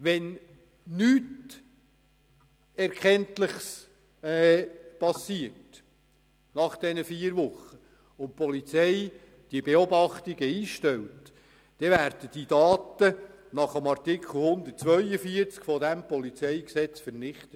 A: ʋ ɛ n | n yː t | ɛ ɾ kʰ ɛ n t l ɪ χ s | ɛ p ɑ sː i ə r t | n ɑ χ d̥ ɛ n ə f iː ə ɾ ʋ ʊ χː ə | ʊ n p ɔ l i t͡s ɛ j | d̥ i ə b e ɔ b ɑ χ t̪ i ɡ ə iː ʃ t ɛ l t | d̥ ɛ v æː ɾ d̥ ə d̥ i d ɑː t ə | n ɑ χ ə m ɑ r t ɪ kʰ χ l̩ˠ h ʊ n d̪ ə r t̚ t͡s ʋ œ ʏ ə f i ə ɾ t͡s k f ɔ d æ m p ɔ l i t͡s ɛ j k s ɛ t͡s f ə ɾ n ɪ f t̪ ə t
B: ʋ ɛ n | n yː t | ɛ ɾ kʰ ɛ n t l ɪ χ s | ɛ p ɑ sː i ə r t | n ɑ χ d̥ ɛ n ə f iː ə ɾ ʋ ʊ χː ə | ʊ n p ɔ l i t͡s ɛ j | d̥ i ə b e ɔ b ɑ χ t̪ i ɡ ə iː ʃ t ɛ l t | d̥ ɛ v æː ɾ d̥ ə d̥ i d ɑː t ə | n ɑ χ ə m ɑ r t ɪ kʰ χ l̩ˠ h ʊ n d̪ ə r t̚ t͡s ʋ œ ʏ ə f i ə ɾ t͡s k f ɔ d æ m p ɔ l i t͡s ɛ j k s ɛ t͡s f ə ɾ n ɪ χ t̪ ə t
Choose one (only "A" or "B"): B